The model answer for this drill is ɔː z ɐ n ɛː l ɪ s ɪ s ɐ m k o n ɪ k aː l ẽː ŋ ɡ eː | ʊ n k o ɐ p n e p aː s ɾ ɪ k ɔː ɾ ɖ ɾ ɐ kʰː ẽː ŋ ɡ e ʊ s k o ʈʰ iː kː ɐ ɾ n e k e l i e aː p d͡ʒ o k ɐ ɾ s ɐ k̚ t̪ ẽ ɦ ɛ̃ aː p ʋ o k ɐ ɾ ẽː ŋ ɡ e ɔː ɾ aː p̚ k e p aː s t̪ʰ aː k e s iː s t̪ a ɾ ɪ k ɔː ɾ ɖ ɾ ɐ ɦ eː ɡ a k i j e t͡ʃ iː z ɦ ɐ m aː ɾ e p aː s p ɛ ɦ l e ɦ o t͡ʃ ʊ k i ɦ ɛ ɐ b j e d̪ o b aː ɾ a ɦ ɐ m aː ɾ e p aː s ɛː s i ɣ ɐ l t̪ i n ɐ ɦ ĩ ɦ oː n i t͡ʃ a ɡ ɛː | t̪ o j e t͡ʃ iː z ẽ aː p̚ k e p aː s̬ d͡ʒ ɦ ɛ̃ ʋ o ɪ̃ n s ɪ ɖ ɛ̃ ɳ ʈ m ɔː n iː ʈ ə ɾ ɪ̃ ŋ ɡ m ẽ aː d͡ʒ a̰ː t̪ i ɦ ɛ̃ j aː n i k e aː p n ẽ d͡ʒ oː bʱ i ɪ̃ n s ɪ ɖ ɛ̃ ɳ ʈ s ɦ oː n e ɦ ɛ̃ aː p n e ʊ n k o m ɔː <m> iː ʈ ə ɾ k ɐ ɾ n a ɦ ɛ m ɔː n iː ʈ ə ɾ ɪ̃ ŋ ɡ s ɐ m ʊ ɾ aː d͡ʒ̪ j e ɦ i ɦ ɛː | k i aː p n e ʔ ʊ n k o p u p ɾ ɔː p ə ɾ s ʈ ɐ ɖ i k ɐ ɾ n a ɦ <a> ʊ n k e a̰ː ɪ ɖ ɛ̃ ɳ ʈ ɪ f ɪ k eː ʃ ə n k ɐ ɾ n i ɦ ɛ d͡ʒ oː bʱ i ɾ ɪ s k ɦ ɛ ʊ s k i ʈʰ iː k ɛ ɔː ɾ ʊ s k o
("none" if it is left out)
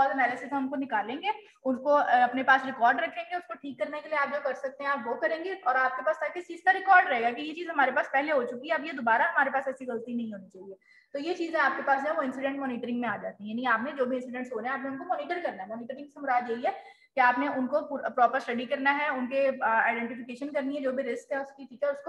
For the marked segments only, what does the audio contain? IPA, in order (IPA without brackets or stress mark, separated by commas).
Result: n, ɛ